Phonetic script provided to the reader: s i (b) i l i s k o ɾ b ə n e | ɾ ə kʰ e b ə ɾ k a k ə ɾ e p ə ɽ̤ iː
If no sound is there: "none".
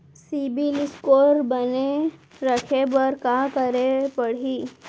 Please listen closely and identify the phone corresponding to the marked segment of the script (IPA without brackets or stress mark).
b